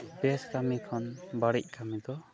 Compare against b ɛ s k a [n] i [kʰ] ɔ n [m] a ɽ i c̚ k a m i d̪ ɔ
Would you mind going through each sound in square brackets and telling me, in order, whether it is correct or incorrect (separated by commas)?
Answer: incorrect, correct, incorrect